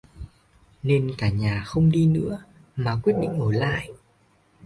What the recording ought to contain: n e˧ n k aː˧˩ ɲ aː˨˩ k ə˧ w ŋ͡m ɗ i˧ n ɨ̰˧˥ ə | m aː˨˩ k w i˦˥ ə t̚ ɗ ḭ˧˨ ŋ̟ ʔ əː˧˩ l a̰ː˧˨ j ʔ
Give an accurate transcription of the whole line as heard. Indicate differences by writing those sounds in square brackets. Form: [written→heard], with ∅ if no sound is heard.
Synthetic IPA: n e˧ n k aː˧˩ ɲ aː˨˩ [k→x] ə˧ w ŋ͡m ɗ i˧ n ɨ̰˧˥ ə | m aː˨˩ k w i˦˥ ə t̚ ɗ ḭ˧˨ ŋ̟ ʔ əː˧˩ l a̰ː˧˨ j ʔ